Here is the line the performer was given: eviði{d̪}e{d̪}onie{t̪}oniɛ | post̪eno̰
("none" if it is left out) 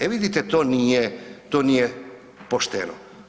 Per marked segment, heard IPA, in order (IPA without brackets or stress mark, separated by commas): t̪, t̪, t̪